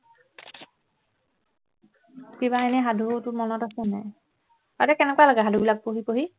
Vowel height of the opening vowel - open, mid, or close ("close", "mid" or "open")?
close